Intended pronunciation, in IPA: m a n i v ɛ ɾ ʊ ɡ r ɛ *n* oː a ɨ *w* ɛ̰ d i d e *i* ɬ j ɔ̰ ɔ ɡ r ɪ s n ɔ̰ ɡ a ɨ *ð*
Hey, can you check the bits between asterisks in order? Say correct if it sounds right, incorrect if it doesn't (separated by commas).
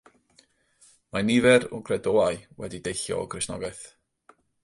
incorrect, correct, incorrect, incorrect